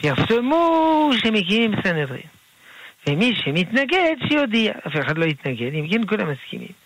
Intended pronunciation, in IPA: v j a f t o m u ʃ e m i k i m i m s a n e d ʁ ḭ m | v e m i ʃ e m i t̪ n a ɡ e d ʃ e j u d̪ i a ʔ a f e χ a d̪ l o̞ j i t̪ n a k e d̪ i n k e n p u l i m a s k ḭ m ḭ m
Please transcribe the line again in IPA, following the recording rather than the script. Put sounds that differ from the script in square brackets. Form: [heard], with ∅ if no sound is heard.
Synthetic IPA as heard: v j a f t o m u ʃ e m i k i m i m s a n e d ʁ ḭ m | v e m i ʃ e m i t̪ n a ɡ e d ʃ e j [o] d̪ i a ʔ a f e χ a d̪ l o̞ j i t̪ n a [ɡ] e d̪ i [m] k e n [k] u l [a] m a s k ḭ m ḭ m